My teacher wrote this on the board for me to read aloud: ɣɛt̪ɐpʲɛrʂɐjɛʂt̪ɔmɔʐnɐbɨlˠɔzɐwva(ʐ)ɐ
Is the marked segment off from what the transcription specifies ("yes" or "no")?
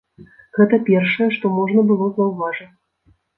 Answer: no